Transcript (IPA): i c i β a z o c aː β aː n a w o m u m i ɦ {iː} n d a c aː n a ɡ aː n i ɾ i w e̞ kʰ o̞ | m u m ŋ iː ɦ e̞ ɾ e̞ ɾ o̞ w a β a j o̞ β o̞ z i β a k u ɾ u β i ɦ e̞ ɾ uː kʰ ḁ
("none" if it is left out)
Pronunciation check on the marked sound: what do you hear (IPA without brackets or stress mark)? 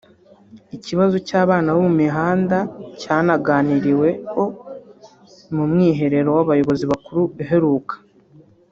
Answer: aː